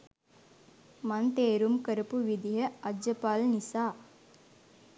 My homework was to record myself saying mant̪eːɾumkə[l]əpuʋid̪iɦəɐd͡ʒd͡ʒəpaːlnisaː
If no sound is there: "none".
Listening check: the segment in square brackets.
ɾ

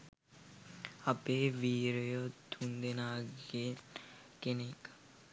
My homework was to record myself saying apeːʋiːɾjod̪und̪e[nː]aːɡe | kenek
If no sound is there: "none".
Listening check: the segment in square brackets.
n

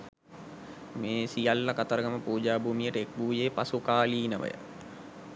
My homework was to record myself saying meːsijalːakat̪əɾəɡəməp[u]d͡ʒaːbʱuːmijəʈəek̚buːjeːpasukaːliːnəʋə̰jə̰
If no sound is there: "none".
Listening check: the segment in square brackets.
uː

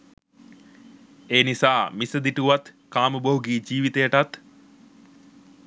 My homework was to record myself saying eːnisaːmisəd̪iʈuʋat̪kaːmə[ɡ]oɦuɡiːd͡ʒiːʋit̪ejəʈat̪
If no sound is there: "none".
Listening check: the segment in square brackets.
b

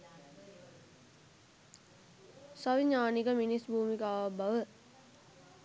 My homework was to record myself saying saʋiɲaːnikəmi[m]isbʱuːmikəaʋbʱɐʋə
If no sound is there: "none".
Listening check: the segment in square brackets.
n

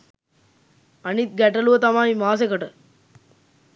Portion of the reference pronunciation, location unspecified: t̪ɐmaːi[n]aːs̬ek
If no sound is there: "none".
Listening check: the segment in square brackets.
m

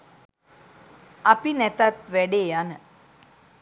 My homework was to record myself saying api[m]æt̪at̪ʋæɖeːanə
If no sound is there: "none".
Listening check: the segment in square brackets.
n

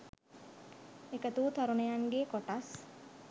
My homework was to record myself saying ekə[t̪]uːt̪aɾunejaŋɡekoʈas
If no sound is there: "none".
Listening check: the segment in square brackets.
t̪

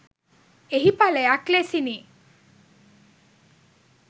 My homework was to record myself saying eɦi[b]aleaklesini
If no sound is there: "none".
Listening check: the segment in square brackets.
p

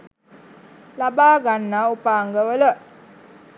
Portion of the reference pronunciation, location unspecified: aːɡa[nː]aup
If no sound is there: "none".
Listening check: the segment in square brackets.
nː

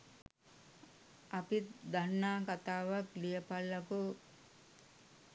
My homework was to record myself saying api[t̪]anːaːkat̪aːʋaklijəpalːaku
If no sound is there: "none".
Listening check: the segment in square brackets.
d̪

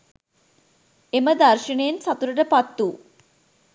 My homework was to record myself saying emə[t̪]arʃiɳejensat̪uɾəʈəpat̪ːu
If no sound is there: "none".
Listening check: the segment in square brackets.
d̪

